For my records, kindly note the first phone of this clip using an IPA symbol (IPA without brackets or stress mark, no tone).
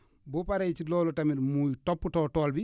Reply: b